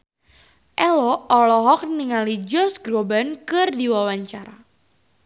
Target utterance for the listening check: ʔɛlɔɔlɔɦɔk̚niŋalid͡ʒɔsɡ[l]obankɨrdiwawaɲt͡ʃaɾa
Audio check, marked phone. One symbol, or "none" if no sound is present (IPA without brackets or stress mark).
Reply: ɾ